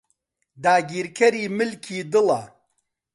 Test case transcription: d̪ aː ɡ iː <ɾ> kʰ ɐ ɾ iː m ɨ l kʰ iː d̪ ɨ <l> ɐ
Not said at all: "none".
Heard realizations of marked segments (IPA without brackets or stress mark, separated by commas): ɾ, l